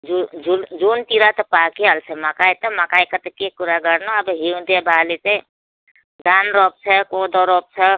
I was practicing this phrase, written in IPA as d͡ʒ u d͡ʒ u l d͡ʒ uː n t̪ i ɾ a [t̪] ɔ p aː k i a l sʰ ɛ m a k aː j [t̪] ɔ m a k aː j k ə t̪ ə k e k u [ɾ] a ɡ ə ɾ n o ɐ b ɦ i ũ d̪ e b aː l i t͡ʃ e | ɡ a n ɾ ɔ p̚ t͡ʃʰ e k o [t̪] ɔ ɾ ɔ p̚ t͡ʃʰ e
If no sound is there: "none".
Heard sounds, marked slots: t̪, t̪, ɾ, d̪

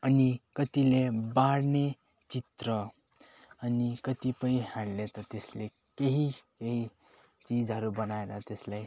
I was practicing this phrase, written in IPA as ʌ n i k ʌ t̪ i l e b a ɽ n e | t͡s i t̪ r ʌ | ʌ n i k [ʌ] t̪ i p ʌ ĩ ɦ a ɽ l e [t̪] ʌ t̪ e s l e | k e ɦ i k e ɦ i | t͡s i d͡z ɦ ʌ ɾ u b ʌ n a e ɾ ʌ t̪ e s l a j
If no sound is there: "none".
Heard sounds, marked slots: ʌ, t̪

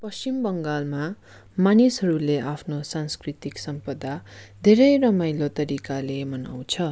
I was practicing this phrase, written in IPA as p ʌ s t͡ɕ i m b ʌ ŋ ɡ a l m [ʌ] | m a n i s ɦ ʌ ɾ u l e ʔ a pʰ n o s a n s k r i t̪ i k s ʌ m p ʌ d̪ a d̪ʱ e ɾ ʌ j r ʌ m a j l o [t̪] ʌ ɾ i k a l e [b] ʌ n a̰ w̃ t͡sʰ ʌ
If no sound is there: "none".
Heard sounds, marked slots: a, t̪, m

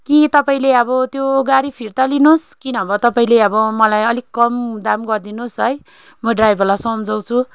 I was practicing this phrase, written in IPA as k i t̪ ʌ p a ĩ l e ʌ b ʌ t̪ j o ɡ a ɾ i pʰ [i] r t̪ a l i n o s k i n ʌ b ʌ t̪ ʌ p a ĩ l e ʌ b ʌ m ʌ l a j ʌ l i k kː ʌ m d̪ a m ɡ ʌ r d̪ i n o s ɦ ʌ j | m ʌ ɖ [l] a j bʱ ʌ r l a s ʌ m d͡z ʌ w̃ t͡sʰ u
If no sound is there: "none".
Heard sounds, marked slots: i, r

